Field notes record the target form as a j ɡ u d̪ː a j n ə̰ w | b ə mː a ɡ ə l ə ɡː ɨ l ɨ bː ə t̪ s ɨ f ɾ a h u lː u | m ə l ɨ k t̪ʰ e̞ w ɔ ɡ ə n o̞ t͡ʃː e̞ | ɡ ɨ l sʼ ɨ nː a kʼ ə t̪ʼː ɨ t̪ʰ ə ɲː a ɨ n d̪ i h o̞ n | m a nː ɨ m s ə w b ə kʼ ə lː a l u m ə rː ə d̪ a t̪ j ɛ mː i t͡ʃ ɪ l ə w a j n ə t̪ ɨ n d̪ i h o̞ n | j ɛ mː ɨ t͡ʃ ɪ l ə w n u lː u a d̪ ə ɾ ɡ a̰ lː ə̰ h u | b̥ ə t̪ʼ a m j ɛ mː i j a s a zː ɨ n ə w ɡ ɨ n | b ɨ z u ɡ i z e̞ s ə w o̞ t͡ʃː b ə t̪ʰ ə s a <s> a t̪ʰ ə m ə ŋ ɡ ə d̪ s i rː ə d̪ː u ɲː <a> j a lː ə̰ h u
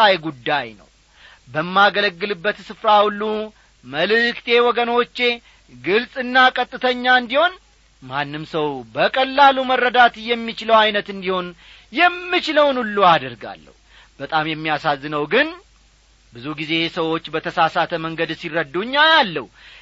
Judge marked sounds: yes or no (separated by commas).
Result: yes, yes